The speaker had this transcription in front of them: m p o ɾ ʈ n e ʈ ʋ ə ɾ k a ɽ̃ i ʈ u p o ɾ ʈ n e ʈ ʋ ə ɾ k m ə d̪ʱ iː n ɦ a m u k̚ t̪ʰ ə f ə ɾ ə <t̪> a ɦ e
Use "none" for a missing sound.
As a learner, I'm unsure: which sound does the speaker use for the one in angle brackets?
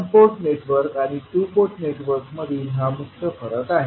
t̪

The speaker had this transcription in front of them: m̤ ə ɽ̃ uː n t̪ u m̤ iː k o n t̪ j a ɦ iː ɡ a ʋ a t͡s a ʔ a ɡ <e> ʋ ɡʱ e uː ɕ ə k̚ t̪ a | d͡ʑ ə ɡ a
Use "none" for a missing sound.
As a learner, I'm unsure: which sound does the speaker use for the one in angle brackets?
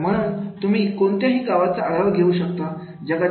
a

